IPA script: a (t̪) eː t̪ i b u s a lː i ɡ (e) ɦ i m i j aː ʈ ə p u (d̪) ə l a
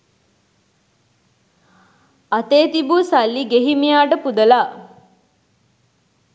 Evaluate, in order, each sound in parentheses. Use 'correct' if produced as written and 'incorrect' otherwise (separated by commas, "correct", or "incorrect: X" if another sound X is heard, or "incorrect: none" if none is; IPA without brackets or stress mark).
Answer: correct, correct, correct